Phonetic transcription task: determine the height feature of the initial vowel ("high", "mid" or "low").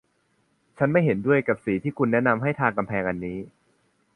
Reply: low